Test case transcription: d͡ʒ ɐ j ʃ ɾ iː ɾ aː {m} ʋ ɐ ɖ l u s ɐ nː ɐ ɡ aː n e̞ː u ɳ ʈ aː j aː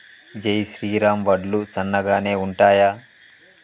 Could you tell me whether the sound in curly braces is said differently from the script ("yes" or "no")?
no